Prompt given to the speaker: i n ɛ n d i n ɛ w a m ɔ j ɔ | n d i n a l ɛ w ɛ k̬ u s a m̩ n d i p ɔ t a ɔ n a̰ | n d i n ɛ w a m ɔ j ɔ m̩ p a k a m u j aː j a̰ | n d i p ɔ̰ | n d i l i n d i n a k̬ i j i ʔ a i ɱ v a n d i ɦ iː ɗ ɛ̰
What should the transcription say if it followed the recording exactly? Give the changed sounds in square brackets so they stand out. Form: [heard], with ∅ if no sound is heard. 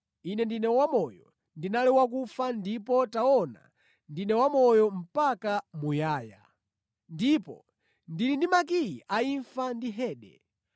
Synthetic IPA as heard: i n ɛ n d i n ɛ w a m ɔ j ɔ | n d i n a l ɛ w [a] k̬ u [f] a [∅] n d i p ɔ t a ɔ n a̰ | n d i n ɛ w a m ɔ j ɔ m̩ p a k a m u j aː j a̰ | n d i p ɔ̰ | n d i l i n d i [m] a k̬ i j i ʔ a i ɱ [f] a n d i ɦ [ɛː] ɗ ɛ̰

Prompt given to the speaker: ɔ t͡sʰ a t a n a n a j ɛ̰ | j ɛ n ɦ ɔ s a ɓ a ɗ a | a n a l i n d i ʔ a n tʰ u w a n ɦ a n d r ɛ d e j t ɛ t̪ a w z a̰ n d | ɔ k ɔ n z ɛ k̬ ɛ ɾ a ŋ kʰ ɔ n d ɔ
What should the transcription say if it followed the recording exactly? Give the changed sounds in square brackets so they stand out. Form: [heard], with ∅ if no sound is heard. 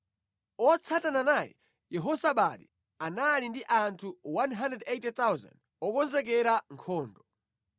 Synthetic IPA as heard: ɔ t͡sʰ a t a n a n a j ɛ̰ | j ɛ [∅] ɦ ɔ s a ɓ a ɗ [i] | a n a l i n d i ʔ a n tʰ u w a n ɦ a n d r ɛ d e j t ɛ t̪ a w z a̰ n d | ɔ k ɔ n z ɛ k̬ ɛ ɾ a ŋ kʰ [ɔː] n d ɔ

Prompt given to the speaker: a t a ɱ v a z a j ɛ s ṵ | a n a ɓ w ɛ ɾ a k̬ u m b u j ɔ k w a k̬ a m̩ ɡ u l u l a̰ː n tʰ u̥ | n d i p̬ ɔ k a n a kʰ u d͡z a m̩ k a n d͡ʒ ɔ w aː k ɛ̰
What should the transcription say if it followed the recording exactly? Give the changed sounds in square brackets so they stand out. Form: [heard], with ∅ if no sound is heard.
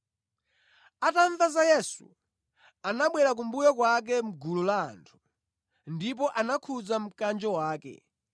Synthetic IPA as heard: a t a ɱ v a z a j ɛ s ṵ | a n a ɓ w ɛ ɾ a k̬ u m b u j ɔ k w a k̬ [ɛ] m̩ ɡ u l u l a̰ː n tʰ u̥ | n d i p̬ ɔ [ʔ] a n a kʰ u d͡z a m̩ k a n d͡ʒ ɔ w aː k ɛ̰

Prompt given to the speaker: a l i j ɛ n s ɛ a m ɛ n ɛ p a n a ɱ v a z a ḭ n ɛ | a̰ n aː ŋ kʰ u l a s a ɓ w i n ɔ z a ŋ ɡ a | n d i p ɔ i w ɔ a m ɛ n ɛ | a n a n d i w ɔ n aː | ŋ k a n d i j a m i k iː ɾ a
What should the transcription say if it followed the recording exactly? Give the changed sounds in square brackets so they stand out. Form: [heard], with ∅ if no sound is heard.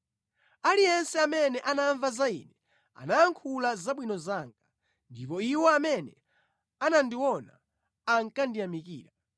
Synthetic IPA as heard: a l i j ɛ n s ɛ a m ɛ n ɛ [ʔ] a n a ɱ v a z a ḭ n ɛ | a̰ n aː ŋ kʰ u l a [z] a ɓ w i n ɔ z a ŋ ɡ a | n d i p ɔ i w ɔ a m ɛ n ɛ | a n a n d i w ɔ n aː | ŋ k a n d i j a m i k iː ɾ a

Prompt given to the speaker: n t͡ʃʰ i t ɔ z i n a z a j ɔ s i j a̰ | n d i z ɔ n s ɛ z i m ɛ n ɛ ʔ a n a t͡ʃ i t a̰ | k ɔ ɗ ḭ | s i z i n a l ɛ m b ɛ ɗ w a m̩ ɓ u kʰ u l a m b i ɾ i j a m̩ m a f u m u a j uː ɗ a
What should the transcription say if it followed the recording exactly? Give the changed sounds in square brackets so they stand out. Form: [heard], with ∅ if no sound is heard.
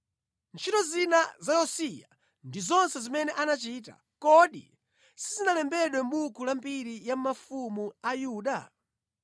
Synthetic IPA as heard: n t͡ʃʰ i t ɔ z i n a z a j ɔ s i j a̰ | n d i z ɔ n s ɛ z i m ɛ n ɛ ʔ a n a t͡ʃ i t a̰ | k ɔ ɗ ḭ | s i z i n a l ɛ m b ɛ ɗ w [ɛ] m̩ ɓ u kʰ u l a m b i ɾ i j a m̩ m a f u m u a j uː ɗ a

